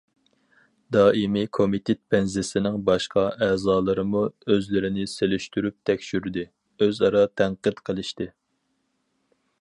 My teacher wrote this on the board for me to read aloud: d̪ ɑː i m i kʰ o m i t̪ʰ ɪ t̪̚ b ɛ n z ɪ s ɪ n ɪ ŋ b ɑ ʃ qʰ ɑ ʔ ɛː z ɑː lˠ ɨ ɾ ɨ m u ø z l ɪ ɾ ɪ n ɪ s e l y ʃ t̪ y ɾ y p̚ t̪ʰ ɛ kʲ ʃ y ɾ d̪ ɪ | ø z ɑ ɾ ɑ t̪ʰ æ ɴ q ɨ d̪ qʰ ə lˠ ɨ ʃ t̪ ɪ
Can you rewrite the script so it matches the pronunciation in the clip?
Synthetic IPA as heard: d̪ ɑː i m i kʰ o m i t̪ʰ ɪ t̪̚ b ɛ n z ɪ s ɪ n ɪ ŋ b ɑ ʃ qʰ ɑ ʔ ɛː z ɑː lˠ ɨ ɾ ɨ m u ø z l ɪ ɾ ɪ n ɪ s e l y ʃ t̪ y ɾ y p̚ t̪ʰ ɛ kʲ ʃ y ɾ d̪ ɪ | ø z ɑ ɾ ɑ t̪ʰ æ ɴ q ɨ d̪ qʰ ə lˠ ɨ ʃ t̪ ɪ